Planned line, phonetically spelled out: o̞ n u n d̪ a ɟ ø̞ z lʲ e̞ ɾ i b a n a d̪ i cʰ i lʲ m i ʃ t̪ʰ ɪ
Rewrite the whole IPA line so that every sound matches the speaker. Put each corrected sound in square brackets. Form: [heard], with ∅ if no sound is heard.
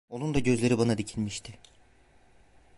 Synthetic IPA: o̞ n u n d̪ a ɟ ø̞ z lʲ e̞ ɾ i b a n a d̪ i cʰ i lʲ m i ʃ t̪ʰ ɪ